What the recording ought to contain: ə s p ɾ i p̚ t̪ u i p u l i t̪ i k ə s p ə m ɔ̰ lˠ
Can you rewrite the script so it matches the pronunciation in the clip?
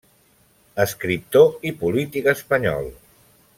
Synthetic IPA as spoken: ə s k ɾ i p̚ t̪ o i p u l i t̪ i k ə s p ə ɲ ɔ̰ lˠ

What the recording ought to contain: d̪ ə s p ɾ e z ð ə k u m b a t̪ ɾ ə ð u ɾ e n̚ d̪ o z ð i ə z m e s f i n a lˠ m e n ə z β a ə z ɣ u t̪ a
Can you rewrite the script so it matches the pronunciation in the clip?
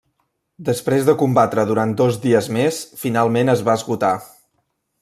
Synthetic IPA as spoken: d̪ ə s p ɾ e z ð ə k u m b a t̪ ɾ ə ð u ɾ a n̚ d̪ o z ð i ə z m e s f i n a lˠ m e n ə z β a ə z ɣ u t̪ a

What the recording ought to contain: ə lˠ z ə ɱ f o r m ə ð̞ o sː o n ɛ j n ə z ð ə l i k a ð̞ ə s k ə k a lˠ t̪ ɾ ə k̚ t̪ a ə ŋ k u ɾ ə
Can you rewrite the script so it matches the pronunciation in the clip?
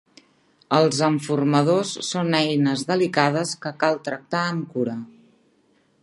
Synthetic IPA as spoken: ə lˠ z ə ɱ f u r m ə ð̞ o sː o n ɛ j n ə z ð ə l i k a ð̞ ə s k ə k a lˠ t̪ ɾ ə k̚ t̪ a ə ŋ k u ɾ ə

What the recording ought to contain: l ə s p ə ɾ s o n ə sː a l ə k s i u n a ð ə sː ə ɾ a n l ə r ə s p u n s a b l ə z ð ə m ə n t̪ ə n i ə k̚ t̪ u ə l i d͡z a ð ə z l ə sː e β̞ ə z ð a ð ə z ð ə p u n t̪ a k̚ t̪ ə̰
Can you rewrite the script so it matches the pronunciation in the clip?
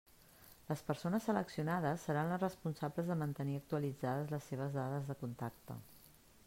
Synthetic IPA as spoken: l ə s p ə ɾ s o n ə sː ə l ə k s i u n a ð ə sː ə ɾ a n l ə r ə s p u n s a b l ə z ð ə m ə n t̪ ə n i ə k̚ t̪ u ə l i d͡z a ð ə z l ə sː e β̞ ə z ð a ð ə z ð ə k u n t̪ a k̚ t̪ ə̰

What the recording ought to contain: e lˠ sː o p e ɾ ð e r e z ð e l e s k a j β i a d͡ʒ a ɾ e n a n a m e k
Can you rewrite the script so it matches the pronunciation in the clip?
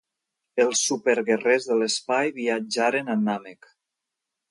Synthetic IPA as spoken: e lˠ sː u p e ɾ ɣ e r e z ð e l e s p a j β i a d͡ʒ a ɾ e n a n a m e k

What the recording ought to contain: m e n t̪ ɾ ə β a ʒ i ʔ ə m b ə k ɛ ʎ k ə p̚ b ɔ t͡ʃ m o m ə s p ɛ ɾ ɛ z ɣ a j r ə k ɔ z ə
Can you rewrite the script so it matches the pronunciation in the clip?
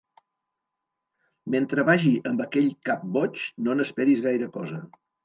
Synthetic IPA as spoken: m e n t̪ ɾ ə β a ʒ i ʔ ə m b ə k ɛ ʎ k a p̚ b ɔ t͡ʃ n o n ə s p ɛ ɾ i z ɣ a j ɾ ə k ɔ z ə

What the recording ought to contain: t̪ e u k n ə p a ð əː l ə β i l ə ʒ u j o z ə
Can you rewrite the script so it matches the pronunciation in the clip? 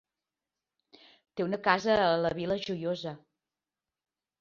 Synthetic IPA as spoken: t̪ e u n ə k a z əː l ə β i l ə ʒ u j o z ə

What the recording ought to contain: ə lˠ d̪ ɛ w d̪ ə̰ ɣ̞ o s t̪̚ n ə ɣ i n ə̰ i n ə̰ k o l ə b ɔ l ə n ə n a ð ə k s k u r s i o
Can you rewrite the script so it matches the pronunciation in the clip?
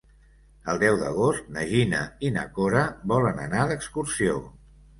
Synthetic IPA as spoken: ə lˠ d̪ ɛ w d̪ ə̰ ɣ̞ o s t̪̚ n ə ʒ i n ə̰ i n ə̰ k o ɾ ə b ɔ l ə n ə n a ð ə k s k u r s i o

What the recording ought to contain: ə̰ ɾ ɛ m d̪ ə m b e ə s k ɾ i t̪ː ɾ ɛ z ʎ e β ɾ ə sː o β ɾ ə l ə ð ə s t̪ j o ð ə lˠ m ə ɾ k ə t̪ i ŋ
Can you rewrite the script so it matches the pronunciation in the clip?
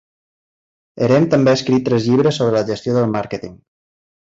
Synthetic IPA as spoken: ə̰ ɾ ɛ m t̪ ə m b e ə s k ɾ i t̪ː ɾ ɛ z ʎ i β ɾ ə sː o β ɾ ə l ə ʒ ə s t̪ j o ð ə lˠ m a ɾ k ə t̪ i ŋ

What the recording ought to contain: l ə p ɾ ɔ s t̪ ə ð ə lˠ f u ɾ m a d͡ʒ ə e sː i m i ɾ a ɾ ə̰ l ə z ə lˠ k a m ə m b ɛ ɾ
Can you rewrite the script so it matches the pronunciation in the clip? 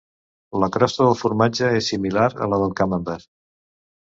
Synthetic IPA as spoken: l ə k ɾ ɔ s t̪ ə ð ə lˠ f u ɾ m a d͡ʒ ə e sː i m i l a ɾ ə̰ l ə ð ə lˠ k a m ə m b ɛ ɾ

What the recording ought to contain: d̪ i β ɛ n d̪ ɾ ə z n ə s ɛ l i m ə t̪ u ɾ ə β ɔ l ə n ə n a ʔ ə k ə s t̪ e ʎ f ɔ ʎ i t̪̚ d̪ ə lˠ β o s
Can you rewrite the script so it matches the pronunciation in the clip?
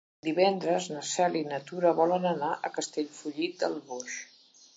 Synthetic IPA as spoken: d̪ i β ɛ n d̪ ɾ ə z n ə s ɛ l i n ə t̪ u ɾ ə β ɔ l ə n ə n a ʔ ə k ə s t̪ e ʎ f u ʎ i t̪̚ d̪ ə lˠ β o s

